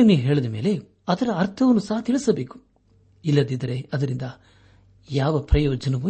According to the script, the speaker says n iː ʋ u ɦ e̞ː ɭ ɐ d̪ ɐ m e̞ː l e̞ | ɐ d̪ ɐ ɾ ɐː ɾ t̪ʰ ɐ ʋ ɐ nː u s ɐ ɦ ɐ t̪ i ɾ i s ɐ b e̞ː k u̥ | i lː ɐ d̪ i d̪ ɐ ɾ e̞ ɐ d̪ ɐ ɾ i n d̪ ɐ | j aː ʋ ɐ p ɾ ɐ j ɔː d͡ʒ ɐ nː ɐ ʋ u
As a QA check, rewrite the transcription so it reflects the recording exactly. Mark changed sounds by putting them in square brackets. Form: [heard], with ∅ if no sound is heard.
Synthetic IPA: n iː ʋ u ɦ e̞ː ɭ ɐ d̪ ɐ m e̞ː l e̞ | ɐ d̪ ɐ ɾ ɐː ɾ t̪ʰ ɐ ʋ ɐ nː u s ɐ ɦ ɐ t̪ i [ɭ] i s ɐ b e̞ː k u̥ | i lː ɐ d̪ i d̪ ɐ ɾ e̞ ɐ d̪ ɐ ɾ i n d̪ ɐ | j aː ʋ ɐ p ɾ ɐ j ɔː d͡ʒ ɐ [n] ɐ ʋ u